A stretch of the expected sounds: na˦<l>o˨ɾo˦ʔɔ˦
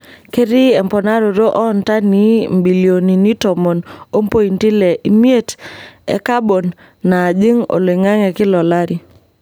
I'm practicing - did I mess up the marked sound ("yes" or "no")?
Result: yes